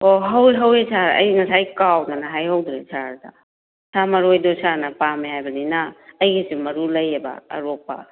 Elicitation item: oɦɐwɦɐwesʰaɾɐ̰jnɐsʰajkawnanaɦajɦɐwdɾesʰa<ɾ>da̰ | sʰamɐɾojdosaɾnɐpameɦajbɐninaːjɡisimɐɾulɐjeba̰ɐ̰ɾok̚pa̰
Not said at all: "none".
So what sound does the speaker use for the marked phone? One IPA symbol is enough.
ɾ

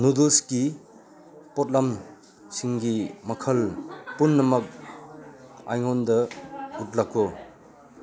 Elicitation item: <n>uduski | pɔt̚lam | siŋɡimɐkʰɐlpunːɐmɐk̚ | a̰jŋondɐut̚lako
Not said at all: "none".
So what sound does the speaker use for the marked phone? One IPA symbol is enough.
n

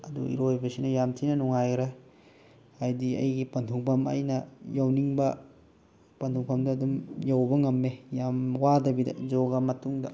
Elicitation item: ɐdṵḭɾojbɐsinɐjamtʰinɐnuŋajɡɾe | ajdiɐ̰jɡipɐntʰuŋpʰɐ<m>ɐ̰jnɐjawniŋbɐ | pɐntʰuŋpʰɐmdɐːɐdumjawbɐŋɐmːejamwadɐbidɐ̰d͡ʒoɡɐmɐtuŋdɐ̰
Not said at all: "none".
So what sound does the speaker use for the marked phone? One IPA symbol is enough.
m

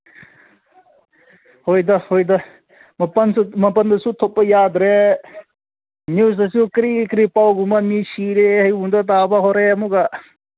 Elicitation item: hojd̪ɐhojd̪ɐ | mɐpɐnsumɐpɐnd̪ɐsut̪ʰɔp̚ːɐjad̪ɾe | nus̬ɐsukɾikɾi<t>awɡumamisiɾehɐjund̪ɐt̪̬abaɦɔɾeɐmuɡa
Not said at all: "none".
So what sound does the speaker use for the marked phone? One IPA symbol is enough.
p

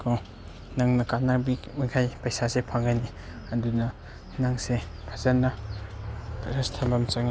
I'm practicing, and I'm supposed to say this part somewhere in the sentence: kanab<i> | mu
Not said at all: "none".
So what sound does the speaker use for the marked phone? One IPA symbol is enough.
i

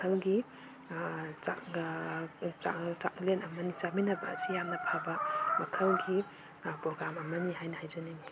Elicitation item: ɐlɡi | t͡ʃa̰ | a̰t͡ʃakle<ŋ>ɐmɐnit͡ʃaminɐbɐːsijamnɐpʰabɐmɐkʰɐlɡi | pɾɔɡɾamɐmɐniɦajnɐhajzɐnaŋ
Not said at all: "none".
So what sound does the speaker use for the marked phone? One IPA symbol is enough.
n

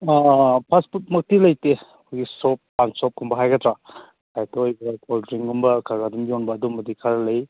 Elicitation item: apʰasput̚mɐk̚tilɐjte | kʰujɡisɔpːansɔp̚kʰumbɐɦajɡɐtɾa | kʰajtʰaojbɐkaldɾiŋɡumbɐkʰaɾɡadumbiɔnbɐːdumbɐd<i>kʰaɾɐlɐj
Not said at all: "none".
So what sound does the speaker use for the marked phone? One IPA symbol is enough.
i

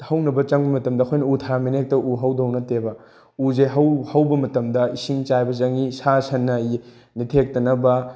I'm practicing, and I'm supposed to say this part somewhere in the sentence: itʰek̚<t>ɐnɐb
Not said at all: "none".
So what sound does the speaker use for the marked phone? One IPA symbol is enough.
t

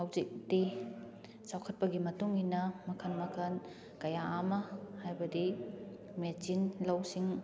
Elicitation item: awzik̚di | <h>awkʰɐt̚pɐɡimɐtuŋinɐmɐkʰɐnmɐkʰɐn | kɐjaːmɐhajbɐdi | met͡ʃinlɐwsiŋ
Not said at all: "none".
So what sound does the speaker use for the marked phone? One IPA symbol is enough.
s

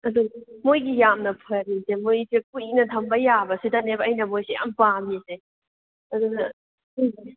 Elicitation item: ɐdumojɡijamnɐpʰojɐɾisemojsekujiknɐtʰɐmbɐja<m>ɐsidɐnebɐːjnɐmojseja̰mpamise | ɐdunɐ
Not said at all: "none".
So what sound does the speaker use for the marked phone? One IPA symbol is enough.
b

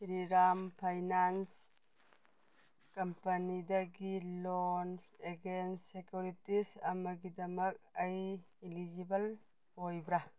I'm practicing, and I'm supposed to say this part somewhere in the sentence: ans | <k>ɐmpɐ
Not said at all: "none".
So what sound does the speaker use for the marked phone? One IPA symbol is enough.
k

